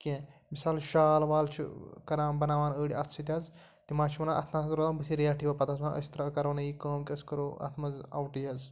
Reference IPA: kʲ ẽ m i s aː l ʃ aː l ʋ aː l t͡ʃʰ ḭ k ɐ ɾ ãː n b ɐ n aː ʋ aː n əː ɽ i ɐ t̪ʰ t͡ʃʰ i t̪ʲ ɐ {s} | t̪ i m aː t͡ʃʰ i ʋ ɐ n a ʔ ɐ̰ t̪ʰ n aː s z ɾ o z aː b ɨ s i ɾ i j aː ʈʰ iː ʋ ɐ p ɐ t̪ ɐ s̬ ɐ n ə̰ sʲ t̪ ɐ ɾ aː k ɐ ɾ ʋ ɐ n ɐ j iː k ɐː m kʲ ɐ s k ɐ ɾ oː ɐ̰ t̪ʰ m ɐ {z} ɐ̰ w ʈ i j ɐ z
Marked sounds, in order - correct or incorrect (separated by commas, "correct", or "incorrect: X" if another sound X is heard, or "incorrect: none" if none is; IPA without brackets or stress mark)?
incorrect: z, correct